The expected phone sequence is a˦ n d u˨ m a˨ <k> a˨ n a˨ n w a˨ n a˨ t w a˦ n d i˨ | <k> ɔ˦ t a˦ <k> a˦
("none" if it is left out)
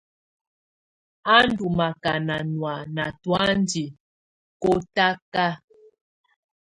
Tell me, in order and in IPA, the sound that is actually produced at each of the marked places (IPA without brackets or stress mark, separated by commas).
k, k, k